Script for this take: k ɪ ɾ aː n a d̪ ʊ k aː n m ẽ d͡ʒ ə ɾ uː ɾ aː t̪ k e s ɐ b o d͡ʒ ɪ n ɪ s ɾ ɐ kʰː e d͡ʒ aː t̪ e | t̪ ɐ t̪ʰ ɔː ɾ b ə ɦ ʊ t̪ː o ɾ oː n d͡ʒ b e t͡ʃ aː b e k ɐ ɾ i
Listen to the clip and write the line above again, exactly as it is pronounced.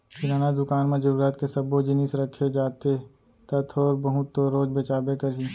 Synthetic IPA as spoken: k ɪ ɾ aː n a d̪ ʊ k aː n m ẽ d͡ʒ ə ɾ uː ɾ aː t̪ k e s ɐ b o d͡ʒ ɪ n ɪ s ɾ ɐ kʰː e d͡ʒ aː t̪ e | t̪ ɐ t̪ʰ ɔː ɾ b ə ɦ ʊ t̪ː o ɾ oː d͡ʒ b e t͡ʃ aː b e k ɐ ɾ i